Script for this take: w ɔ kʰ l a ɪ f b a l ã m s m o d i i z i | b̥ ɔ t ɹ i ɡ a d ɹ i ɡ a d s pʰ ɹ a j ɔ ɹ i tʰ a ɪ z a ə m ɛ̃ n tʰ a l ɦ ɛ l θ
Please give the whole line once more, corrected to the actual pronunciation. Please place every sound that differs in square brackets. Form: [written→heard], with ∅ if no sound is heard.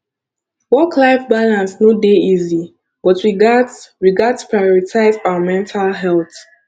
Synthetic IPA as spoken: w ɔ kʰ l a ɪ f b a l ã [m→n] s [m→n] o d [i→e] i z i | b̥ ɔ t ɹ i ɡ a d ɹ i ɡ a d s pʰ ɹ a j ɔ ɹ i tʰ a ɪ z a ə m ɛ̃ n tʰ a l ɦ ɛ l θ